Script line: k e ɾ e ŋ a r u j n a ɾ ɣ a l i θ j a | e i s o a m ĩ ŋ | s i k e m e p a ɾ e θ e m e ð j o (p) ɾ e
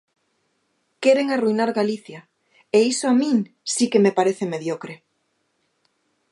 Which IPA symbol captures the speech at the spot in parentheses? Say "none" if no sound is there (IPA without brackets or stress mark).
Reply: k